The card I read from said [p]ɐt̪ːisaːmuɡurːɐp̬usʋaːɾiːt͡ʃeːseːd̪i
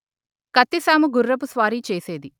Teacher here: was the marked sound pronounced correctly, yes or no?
no